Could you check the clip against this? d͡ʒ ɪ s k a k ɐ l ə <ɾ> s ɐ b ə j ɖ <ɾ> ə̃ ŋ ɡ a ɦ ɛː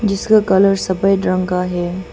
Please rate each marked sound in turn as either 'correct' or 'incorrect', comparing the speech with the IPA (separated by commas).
correct, correct